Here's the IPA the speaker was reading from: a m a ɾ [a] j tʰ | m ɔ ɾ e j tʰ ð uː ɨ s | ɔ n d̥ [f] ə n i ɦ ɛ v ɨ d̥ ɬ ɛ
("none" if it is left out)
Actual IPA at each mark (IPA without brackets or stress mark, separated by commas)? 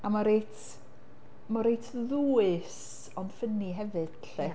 e, f